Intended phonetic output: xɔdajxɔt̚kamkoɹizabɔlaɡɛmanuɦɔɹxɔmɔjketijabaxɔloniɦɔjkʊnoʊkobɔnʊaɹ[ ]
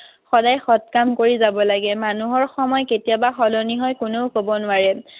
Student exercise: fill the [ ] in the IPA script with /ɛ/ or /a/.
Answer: ɛ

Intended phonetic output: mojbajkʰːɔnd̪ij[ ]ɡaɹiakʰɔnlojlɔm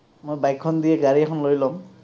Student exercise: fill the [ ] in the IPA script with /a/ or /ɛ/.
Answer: ɛ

